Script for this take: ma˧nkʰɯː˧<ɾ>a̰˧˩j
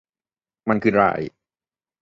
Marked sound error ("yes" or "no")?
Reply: no